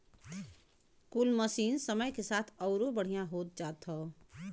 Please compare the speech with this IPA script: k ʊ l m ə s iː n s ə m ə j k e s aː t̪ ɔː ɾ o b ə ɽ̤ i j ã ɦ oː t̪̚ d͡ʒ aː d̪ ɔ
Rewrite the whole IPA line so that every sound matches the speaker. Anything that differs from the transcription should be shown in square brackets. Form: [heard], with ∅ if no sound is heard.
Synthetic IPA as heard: k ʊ l m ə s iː n s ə m ə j k e s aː [t̪ʰ] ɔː ɾ o b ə ɽ̤ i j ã ɦ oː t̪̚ d͡ʒ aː [t̪] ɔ